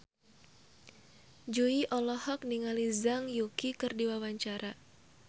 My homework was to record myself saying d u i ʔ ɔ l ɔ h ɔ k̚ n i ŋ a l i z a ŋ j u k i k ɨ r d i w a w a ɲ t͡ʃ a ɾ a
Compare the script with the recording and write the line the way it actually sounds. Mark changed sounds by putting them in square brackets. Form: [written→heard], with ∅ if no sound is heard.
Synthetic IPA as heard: [d→d͡ʒ] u i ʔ ɔ l ɔ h ɔ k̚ n i ŋ a l i z a ŋ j u k i k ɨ r d i w a w a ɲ t͡ʃ a ɾ a